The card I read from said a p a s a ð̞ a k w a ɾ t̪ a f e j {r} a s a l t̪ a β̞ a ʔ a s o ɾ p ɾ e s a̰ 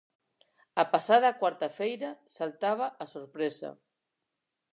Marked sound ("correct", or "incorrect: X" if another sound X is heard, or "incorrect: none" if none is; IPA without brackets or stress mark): incorrect: ɾ